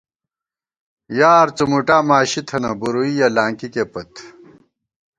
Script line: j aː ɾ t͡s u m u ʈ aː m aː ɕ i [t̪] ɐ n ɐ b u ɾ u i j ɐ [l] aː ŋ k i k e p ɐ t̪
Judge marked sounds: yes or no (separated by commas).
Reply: no, yes